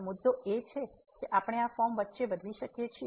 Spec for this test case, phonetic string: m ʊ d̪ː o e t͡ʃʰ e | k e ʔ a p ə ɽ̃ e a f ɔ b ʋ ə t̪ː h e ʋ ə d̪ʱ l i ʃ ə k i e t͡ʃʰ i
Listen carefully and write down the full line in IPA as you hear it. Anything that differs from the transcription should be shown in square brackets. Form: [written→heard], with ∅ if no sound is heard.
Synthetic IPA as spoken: m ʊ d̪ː o e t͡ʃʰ e | k e ʔ a p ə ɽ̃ e a f ɔ [b→m] ʋ ə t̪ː [h→ʃ] e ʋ ə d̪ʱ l i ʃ ə k [i→j] e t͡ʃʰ i